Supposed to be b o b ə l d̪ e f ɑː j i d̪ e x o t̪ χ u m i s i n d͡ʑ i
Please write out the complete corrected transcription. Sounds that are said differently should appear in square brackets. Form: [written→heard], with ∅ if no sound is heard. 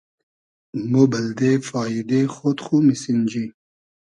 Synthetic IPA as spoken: [b→m] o b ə l d̪ e f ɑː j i d̪ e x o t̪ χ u m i s i n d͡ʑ i